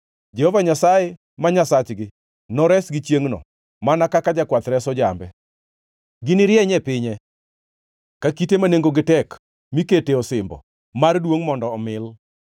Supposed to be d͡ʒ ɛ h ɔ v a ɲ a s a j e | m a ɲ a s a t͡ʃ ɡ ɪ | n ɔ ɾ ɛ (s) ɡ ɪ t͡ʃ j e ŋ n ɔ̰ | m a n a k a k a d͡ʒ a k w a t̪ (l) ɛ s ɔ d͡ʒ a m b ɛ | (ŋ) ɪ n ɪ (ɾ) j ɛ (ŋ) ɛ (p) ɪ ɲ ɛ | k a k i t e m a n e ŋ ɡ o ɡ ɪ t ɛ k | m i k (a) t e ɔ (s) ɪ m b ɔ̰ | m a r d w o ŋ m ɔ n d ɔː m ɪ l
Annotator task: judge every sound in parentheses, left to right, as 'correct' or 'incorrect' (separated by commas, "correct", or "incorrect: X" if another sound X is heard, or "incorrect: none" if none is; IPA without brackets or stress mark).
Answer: correct, incorrect: ɾ, incorrect: ɡ, correct, incorrect: ɲ, correct, incorrect: e, correct